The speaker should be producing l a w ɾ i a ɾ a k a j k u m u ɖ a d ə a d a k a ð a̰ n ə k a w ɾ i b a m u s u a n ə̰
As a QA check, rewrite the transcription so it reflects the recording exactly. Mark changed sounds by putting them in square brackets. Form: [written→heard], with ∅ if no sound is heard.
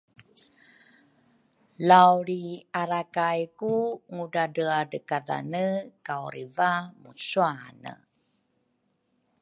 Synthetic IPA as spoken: l a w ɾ i a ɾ a k a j k u [m→ŋ] u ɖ a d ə a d [a→ə] k a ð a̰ n ə k a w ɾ i [b→v] a m u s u a n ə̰